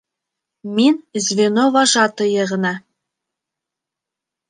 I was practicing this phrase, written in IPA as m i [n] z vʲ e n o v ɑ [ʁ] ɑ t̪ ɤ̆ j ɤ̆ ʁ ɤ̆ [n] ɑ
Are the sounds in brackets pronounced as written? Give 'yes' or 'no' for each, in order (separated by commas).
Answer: yes, no, yes